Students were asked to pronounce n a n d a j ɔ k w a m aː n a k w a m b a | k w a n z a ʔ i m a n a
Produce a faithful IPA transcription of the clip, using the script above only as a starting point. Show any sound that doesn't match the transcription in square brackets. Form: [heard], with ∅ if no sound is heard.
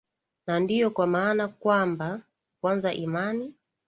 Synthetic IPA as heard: n a n d [i] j ɔ k w a m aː n a k w a m b a | k w a n z a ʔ i m a n [i]